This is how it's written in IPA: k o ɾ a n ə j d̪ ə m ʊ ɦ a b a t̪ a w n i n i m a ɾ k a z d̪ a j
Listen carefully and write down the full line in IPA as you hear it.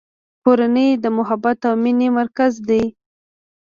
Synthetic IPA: k o ɾ a n ə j d̪ ə m ʊ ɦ a b a t̪ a w m i n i m a ɾ k a z d̪ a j